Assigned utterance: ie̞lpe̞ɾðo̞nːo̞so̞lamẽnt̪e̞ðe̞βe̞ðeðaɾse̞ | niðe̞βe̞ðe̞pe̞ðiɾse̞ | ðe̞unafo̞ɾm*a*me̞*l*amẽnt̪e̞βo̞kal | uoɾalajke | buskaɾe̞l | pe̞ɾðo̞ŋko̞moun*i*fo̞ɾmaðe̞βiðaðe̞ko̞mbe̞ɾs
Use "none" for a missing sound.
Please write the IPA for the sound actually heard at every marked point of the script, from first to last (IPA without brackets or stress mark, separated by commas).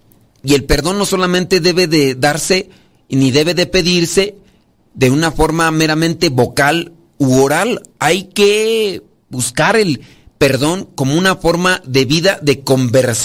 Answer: a, ɾ, a